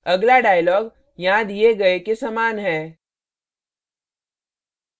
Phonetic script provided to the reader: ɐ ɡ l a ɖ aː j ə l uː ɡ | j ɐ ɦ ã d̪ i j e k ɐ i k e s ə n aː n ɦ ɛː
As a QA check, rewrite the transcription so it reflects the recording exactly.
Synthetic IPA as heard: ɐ ɡ l a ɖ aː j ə l ɔː ɡ | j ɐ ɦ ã d̪ i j e ɡ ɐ e k e s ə m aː n ɦ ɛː